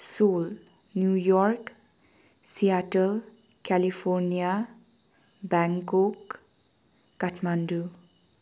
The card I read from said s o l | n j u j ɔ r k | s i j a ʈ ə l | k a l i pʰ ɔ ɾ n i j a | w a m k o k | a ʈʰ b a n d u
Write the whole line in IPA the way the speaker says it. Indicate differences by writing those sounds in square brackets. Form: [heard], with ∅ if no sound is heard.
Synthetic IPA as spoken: s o l | n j u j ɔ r k | s i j a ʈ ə l | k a l i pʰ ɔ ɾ n i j a | [b] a [ŋ] k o k | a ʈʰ [m] a n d u